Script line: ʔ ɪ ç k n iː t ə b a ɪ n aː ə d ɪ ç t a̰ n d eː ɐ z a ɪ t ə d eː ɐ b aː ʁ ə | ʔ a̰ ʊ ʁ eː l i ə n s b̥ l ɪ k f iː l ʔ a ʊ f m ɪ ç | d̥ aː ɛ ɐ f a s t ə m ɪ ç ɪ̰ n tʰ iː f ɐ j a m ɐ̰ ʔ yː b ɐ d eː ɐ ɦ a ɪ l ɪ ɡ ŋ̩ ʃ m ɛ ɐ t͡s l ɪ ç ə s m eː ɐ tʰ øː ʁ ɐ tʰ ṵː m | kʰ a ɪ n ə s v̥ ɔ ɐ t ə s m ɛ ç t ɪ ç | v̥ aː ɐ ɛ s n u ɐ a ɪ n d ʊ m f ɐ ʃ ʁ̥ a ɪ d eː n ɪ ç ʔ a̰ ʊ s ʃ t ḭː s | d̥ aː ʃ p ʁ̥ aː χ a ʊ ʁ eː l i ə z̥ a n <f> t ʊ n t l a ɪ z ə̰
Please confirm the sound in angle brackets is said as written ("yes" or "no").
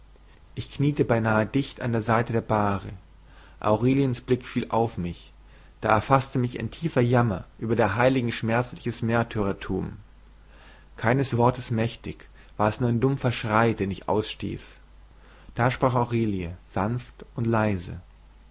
yes